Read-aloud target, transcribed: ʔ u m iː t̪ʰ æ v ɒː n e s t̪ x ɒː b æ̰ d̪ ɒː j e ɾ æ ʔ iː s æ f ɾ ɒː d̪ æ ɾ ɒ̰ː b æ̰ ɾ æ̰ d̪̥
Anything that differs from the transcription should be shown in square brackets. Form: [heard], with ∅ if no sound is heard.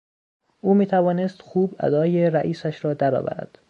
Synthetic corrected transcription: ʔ [uː] m iː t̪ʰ æ v ɒː n e s t̪ x [uː] b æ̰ d̪ ɒː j e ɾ æ ʔ iː s æ [ʃ] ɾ ɒː d̪ æ ɾ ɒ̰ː [v] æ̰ ɾ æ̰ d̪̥